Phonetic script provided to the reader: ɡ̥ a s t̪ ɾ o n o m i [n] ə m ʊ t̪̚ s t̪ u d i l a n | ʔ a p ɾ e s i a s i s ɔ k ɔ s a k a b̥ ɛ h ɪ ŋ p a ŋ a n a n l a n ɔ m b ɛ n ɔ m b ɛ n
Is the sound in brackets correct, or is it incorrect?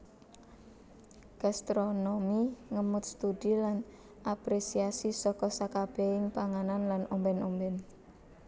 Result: incorrect